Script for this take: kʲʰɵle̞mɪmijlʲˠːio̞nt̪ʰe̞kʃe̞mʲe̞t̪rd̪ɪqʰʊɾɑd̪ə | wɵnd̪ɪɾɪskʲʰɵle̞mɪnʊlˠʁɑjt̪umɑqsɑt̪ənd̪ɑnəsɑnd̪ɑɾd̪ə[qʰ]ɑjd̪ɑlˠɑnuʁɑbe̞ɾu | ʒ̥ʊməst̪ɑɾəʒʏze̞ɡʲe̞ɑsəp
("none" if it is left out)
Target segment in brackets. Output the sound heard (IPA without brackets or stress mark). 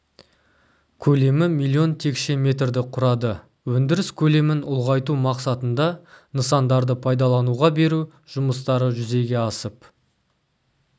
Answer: pʰ